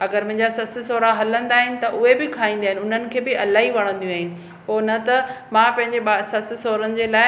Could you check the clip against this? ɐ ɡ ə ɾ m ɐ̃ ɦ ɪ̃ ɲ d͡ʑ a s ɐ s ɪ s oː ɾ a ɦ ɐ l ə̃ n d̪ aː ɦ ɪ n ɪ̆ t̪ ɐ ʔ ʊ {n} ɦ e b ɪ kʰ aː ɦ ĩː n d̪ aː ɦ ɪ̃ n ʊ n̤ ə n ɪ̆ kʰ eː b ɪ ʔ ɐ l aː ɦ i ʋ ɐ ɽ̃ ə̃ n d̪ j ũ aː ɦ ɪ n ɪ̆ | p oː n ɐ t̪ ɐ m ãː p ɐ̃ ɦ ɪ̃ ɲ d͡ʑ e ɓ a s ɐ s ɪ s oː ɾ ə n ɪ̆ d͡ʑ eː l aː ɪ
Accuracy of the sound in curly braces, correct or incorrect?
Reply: incorrect